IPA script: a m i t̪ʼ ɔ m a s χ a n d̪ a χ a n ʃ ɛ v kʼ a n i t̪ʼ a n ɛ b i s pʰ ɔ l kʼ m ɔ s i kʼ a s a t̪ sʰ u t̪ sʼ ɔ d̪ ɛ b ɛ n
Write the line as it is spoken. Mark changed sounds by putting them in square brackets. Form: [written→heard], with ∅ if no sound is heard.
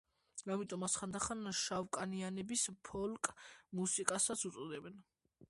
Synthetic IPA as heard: a m i t̪ʼ ɔ m a s χ a n d̪ a χ a n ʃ [ɛ→a] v kʼ a n i [t̪ʼ→∅] a n ɛ b i s pʰ ɔ l kʼ m [ɔ→u] s i kʼ a s a t̪ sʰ u t̪ sʼ ɔ d̪ ɛ b ɛ n